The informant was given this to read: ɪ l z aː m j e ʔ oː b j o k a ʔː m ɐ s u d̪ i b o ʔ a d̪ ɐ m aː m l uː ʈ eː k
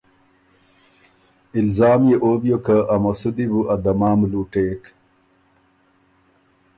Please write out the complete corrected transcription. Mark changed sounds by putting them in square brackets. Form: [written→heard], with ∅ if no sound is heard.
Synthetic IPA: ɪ l z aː m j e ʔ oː b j o k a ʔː m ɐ s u d̪ i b [o→u] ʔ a d̪ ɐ m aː m l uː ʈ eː k